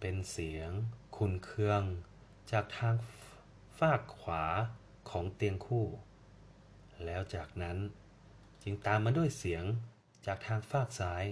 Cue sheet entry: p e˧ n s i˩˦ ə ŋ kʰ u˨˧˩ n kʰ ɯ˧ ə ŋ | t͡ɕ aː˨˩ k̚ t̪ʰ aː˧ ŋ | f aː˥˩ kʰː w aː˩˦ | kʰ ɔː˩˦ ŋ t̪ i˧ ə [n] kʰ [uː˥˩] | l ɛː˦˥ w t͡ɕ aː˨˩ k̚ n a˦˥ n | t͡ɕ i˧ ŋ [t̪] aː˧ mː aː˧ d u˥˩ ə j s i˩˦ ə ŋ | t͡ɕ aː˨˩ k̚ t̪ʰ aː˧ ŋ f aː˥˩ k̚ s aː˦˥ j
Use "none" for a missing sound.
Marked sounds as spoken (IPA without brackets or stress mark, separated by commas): ŋ, uː˥˩, t̪